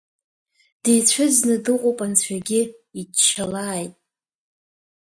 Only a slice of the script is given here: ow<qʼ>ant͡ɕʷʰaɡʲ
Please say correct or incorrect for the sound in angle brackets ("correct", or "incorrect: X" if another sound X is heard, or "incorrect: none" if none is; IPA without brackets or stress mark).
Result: incorrect: pʼ